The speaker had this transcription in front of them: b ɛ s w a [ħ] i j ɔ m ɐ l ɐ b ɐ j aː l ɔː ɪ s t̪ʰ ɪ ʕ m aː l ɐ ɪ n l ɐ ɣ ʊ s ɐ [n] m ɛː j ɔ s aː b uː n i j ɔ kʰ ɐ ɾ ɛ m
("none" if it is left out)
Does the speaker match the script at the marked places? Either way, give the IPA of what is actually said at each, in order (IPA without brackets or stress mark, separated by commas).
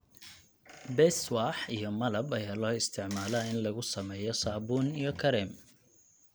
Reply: ħ, none